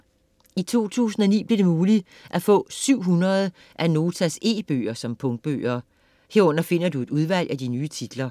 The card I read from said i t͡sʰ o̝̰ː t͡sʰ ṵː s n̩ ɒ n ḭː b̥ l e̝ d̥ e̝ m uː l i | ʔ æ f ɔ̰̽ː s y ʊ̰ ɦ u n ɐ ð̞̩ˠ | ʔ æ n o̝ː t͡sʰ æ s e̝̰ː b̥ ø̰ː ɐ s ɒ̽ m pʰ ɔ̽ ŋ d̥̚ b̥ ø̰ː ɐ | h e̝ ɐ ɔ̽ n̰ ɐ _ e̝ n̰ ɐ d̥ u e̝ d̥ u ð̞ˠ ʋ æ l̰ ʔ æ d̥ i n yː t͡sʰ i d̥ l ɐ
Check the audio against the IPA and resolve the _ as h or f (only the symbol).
f